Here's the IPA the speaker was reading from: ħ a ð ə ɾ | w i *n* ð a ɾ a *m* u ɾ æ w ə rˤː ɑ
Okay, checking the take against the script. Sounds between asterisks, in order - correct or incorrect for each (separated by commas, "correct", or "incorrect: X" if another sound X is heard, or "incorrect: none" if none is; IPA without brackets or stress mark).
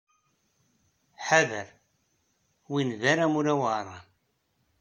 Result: correct, correct